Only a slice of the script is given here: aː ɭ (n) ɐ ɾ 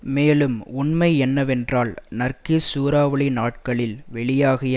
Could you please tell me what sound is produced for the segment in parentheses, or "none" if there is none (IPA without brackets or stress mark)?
n